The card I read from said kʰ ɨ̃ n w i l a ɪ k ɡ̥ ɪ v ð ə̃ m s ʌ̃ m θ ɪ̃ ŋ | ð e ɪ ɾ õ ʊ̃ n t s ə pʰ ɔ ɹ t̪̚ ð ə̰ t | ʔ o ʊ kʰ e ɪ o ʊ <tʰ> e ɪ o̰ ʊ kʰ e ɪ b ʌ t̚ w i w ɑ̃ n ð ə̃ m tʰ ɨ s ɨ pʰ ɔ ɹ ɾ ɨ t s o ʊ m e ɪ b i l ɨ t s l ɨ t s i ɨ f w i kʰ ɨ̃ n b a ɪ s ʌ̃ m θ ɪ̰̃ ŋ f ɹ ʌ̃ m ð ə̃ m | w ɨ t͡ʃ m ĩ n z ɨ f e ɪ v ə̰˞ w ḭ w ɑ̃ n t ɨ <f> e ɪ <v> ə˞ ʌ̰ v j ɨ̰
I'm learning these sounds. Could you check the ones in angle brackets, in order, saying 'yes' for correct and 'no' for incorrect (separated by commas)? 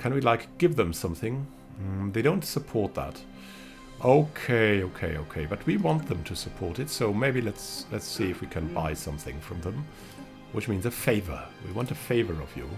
no, yes, yes